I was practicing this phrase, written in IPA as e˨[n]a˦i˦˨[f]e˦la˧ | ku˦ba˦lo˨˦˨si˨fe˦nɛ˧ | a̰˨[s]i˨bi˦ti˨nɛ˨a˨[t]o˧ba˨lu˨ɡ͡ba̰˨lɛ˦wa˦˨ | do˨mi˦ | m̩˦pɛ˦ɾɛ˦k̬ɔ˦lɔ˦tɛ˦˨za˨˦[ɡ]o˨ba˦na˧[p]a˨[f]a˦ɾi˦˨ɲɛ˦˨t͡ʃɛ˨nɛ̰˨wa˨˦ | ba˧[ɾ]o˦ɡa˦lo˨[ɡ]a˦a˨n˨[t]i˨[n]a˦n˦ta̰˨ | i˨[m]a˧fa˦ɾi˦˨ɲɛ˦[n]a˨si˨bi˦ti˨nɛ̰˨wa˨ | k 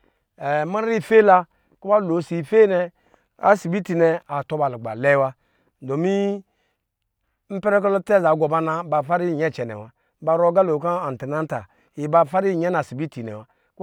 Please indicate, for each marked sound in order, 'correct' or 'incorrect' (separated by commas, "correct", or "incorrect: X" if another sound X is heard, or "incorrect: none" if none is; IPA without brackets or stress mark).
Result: incorrect: m, correct, correct, correct, correct, incorrect: b, correct, correct, incorrect: k, correct, correct, incorrect: b, correct